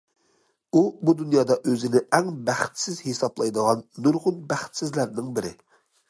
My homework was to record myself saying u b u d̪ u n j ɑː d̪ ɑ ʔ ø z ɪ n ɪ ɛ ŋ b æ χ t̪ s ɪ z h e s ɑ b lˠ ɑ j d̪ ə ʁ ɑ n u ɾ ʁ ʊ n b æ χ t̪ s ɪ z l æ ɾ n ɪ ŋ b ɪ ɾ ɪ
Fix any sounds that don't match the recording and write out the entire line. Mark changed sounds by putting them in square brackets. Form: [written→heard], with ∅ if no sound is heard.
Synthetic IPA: u b u d̪ u n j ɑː d̪ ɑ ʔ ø z ɪ n ɪ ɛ ŋ b æ χ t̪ s ɪ z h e s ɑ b lˠ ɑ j d̪ ə ʁ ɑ [n→nː] u ɾ ʁ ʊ n b æ χ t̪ s ɪ z l æ ɾ n ɪ ŋ b ɪ ɾ ɪ